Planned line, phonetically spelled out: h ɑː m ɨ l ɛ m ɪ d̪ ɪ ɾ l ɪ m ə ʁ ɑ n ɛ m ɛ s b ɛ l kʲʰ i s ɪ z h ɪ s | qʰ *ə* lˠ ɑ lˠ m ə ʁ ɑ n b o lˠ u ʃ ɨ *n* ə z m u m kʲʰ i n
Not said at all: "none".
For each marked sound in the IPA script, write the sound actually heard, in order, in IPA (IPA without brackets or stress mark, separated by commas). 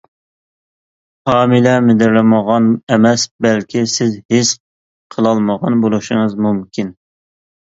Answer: ə, ŋ